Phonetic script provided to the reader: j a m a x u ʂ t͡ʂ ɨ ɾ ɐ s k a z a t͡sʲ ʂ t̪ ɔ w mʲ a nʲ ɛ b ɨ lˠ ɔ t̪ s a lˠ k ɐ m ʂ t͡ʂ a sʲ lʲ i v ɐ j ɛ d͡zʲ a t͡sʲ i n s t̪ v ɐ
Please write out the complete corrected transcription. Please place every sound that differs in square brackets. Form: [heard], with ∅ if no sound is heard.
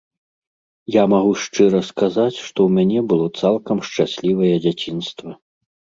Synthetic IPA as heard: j a m a [ɣ] u ʂ t͡ʂ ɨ ɾ ɐ s k a z a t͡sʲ ʂ t̪ ɔ w mʲ a nʲ ɛ b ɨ lˠ ɔ t̪ s a lˠ k ɐ m ʂ t͡ʂ a sʲ lʲ i v ɐ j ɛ d͡zʲ a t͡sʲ i n s t̪ v ɐ